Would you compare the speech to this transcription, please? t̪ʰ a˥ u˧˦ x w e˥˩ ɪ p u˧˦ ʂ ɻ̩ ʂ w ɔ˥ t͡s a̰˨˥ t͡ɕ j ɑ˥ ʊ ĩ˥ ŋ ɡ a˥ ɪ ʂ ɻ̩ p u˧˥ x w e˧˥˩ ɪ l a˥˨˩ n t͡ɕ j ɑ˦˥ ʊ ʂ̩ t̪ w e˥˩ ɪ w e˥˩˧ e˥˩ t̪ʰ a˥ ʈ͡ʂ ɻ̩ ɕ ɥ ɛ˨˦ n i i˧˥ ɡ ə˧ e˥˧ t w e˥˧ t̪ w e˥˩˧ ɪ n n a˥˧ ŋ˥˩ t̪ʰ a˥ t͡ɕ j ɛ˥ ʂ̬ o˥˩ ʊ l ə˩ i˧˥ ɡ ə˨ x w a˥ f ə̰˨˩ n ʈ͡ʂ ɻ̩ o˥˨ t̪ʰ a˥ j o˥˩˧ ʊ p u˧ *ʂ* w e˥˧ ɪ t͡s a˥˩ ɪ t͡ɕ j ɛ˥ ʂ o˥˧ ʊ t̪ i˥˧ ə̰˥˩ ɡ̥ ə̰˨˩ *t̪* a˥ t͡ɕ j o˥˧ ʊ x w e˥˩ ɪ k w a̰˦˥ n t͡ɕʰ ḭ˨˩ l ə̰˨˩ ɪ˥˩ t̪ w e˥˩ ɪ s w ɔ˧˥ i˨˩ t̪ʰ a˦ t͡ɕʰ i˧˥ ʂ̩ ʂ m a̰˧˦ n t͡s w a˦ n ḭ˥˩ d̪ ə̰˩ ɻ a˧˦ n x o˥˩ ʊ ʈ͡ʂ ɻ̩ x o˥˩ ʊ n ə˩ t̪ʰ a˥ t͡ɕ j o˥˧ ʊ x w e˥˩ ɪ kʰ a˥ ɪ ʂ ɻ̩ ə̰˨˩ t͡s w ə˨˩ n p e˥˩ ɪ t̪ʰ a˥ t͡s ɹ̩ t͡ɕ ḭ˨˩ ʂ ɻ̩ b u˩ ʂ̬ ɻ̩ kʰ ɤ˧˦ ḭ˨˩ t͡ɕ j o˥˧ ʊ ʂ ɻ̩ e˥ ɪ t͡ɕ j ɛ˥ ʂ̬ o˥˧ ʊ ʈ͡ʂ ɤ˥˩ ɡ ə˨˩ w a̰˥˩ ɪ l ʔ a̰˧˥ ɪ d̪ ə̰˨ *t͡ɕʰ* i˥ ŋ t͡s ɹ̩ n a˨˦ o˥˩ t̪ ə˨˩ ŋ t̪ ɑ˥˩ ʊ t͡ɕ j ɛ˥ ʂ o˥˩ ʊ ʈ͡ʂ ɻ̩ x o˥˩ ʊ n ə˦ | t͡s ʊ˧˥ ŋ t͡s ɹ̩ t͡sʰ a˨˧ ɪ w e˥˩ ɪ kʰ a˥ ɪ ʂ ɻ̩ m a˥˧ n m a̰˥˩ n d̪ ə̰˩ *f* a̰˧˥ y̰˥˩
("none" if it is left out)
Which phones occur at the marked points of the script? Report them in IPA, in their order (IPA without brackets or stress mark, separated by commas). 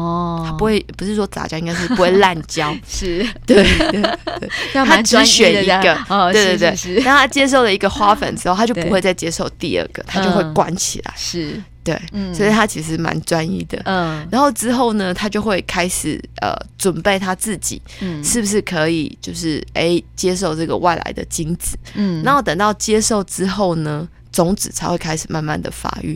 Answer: x, t̪ʰ, t͡ɕ, f